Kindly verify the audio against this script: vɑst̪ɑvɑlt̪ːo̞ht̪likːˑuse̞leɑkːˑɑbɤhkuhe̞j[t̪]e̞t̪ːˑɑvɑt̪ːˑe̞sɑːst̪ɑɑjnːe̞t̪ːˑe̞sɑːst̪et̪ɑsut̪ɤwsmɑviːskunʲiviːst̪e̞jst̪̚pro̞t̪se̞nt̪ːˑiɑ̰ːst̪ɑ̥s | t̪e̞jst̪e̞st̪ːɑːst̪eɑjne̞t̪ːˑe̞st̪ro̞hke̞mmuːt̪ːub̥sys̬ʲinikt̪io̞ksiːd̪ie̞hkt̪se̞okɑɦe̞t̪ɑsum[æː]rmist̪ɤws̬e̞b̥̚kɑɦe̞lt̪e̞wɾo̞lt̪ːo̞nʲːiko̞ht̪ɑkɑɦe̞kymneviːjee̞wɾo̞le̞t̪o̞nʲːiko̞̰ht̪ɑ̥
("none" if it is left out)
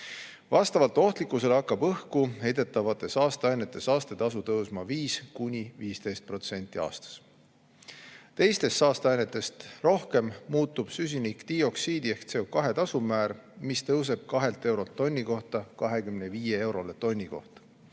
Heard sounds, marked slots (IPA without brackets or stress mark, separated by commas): d̪, æː